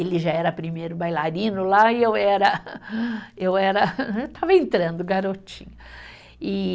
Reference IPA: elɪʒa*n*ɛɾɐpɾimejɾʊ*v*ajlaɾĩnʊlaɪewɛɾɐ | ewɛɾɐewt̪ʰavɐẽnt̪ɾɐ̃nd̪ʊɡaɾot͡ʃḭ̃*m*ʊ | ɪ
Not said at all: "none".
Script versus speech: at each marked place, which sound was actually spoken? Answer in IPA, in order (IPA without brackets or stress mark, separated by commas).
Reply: none, b, ɲ